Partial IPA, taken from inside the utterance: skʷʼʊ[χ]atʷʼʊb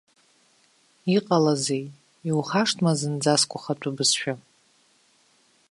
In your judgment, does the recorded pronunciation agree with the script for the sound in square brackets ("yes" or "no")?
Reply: yes